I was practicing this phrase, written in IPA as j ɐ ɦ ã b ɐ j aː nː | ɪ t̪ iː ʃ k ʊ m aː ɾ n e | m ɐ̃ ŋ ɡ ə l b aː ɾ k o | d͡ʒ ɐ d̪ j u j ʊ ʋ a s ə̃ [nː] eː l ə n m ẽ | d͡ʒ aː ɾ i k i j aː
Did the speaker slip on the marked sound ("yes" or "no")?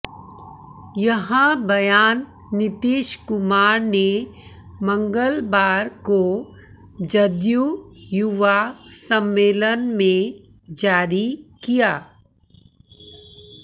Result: yes